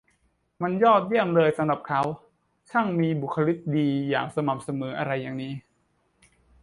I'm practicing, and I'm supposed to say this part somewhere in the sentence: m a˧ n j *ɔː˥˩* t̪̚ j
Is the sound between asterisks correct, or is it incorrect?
correct